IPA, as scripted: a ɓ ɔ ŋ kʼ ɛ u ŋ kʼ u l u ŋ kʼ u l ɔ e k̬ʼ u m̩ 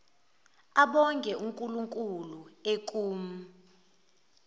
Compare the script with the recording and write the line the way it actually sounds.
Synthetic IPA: a ɓ ɔ ŋ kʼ ɛ u ŋ kʼ u l u ŋ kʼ u l u e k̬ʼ uː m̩